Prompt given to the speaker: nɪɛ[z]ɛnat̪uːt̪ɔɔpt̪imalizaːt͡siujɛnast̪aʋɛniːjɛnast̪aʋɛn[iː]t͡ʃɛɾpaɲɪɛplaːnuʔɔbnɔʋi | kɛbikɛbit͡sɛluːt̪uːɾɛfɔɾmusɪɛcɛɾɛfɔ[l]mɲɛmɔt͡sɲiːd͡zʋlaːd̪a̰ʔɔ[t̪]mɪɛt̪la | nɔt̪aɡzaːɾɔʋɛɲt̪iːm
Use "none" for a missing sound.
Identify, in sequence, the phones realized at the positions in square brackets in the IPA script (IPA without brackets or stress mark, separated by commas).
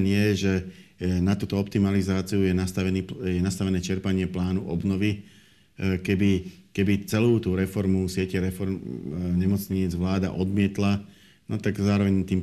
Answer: ʒ, ɛː, ɾ, d̪